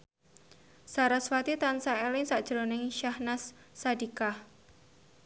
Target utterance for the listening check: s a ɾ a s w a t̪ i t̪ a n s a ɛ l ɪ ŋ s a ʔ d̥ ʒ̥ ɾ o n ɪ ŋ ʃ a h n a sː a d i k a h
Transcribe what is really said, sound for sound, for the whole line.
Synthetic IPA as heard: s a ɾ a s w a t̪ i t̪ a n s a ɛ l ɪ ŋ s a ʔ d̥ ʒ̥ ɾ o n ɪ ŋ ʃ a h n a sː a d i k a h